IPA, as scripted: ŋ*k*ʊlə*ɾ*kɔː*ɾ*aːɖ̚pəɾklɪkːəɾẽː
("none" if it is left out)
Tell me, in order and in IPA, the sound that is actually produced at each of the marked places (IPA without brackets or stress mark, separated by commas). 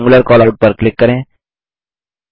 ɡ, ɾ, l